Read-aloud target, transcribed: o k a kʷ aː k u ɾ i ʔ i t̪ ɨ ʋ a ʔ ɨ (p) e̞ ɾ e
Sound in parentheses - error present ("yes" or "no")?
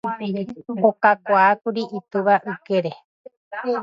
yes